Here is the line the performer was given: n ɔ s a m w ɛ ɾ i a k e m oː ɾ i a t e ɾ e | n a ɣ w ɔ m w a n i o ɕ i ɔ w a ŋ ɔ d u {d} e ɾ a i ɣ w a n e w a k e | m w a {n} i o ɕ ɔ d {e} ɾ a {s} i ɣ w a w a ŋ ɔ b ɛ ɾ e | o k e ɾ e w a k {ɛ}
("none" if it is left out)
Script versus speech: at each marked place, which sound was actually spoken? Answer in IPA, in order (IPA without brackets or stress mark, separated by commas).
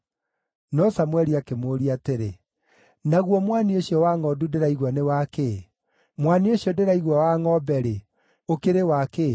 d, n, e, none, e